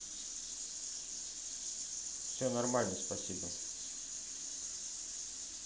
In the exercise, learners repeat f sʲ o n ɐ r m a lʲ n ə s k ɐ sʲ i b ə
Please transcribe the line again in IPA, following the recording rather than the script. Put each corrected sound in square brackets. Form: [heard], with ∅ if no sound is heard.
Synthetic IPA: f sʲ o n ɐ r m a lʲ n ə s [p] ɐ sʲ i b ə